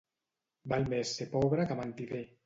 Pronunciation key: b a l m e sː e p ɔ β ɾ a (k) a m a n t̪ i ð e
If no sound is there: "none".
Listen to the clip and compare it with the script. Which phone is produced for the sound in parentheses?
k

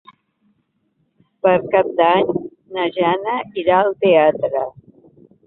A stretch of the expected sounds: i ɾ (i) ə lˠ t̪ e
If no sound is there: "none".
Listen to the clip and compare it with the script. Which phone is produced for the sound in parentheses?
a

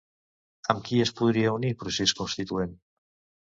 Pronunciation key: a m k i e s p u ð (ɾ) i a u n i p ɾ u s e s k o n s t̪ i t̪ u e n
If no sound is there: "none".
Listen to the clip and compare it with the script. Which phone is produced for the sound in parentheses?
ɾ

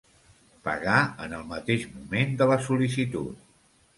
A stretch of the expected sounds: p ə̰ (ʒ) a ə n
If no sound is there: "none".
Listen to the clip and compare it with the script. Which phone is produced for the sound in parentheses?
ɣ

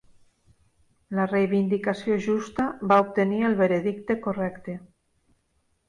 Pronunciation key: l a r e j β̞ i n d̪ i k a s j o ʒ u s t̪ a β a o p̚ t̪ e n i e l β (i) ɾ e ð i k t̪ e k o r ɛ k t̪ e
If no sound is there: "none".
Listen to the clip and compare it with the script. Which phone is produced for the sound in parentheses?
e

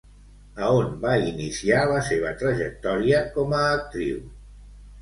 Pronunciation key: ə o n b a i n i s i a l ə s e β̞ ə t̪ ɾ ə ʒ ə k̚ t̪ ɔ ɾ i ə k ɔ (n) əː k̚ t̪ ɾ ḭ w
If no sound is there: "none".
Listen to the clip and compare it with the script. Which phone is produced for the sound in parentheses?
m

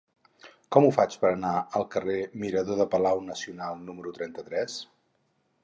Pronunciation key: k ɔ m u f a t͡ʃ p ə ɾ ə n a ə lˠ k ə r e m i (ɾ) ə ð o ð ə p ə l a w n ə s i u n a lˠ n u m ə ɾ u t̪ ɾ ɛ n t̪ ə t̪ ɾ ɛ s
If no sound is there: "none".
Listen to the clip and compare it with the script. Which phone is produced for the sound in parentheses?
ɾ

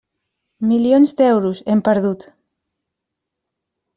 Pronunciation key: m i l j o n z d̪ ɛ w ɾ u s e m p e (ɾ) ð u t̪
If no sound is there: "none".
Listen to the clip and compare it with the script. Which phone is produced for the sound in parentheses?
ɾ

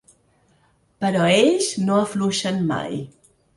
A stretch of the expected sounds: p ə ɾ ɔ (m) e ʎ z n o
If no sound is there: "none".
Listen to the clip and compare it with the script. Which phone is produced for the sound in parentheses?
none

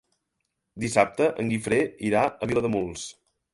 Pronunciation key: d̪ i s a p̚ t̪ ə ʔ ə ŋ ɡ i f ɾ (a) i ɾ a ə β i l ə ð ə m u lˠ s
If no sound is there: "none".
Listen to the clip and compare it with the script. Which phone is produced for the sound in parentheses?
e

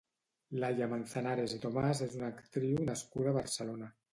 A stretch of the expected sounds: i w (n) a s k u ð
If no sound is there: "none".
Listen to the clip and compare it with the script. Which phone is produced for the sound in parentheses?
n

